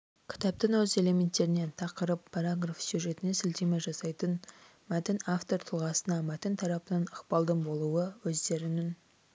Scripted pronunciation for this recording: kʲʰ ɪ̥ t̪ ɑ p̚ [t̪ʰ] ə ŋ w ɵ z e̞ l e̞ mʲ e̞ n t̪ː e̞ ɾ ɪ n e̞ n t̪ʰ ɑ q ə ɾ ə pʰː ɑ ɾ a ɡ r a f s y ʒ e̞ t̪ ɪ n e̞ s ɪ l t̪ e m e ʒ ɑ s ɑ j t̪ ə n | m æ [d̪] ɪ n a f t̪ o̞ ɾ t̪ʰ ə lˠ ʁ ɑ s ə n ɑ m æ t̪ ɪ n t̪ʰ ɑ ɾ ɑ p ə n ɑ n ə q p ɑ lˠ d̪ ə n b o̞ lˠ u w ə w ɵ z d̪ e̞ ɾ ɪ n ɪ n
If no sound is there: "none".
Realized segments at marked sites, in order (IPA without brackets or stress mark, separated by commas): t̪, t̪